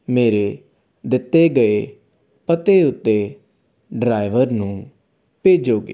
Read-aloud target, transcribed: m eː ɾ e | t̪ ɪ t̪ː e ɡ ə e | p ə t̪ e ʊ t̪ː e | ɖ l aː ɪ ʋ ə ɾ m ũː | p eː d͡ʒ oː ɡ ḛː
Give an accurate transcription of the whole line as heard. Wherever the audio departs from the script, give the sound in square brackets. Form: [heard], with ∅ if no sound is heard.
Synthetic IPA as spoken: m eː ɾ e | [d̪] ɪ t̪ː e ɡ ə e | p ə t̪ e ʊ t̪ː e | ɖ [ɾ] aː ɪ ʋ ə ɾ [n] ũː | p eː d͡ʒ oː ɡ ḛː

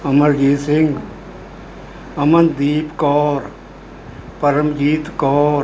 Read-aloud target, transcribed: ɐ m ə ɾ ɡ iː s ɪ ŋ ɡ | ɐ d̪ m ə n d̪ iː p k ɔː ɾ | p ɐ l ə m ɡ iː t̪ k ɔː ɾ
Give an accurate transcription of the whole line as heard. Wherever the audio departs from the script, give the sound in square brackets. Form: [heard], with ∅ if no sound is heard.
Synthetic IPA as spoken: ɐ m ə ɾ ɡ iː s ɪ ŋ ɡ | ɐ [∅] m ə n d̪ iː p k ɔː ɾ | p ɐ [ɾ] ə m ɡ iː t̪ k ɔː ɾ

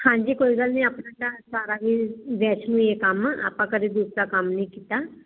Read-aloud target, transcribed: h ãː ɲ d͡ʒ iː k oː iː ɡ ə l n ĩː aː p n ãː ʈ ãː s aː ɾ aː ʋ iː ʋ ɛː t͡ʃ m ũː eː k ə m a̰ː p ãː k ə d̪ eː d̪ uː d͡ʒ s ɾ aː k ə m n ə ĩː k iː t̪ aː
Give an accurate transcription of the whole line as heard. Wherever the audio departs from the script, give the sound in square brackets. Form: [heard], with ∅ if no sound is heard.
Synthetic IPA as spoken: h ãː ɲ d͡ʒ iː k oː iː ɡ ə l n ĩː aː p n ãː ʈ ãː s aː ɾ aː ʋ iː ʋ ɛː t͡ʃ [n] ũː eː k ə m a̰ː p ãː k ə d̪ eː d̪ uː [∅] s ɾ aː k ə m n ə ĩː k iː t̪ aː

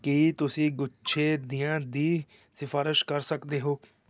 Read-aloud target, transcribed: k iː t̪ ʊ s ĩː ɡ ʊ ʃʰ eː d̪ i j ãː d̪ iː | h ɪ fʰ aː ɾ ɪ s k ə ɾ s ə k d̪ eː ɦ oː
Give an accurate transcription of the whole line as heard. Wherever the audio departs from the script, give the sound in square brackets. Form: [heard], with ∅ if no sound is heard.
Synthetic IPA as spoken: k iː t̪ ʊ s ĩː ɡ ʊ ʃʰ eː d̪ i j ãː d̪ iː | [s] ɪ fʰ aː ɾ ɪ [ʃ] k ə ɾ s ə k d̪ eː ɦ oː

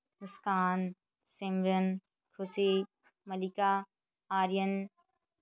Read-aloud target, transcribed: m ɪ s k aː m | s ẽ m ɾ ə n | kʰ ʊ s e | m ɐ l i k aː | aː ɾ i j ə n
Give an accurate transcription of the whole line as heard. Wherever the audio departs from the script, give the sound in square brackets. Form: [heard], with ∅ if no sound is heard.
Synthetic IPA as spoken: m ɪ s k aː [n] | s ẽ m ɾ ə n | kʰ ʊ s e | m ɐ l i k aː | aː ɾ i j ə n

